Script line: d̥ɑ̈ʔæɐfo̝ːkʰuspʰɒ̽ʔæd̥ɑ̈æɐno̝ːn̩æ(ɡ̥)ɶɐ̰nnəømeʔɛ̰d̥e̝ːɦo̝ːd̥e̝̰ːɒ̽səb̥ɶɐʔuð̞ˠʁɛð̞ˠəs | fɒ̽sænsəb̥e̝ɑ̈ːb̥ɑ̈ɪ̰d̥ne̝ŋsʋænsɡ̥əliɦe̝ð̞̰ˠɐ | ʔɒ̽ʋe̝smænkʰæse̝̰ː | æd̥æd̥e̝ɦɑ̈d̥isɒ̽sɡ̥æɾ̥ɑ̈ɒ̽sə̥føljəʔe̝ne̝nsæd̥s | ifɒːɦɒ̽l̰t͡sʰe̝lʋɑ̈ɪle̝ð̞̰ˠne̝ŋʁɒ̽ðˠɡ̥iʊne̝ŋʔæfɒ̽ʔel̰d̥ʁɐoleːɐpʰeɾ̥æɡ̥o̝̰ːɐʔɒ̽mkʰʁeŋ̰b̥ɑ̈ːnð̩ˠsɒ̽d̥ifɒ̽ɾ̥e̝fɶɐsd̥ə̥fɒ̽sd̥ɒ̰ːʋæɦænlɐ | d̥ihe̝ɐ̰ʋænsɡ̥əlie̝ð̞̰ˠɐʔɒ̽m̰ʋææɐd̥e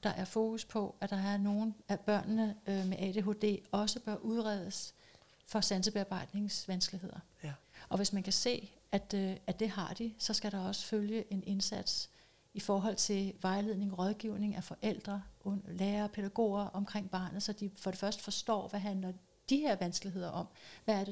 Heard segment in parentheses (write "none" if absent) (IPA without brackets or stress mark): b̥